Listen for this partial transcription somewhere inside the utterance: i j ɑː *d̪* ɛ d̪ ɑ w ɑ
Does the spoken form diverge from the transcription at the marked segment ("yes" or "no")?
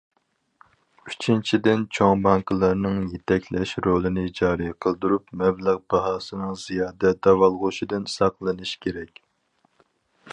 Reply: no